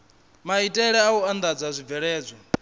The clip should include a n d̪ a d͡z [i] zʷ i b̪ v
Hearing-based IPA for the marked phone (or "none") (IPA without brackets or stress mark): a